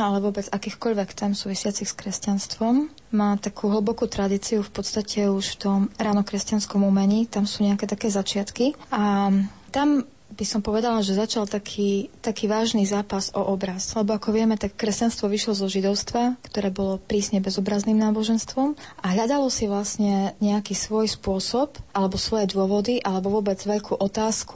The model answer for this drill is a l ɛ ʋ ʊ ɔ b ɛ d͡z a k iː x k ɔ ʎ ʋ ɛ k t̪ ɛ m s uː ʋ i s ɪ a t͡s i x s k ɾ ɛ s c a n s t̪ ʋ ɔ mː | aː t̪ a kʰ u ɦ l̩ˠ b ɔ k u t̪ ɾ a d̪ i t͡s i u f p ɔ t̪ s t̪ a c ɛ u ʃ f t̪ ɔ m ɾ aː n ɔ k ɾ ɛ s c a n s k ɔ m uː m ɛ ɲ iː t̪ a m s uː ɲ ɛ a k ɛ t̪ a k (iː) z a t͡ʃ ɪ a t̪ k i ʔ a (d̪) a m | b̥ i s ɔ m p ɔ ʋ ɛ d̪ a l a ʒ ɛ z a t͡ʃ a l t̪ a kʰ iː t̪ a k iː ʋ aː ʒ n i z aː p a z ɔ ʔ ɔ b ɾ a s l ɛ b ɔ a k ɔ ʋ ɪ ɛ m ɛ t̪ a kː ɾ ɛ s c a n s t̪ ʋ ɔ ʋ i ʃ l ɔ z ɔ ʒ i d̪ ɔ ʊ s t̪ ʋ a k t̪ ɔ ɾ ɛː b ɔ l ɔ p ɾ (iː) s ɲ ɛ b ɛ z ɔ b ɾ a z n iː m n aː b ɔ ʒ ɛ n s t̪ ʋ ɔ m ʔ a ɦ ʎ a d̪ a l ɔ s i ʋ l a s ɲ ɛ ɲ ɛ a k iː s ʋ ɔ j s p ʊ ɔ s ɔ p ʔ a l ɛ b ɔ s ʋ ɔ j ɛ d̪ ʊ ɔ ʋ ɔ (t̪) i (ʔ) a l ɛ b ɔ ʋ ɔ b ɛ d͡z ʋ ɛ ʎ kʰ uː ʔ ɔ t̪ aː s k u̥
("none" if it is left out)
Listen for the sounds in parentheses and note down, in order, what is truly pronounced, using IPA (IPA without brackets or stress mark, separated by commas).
ɛː, t̪, iː, d̪, ʔ